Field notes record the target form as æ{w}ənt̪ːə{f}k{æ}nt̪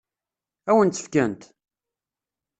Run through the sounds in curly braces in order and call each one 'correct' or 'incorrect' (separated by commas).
correct, correct, correct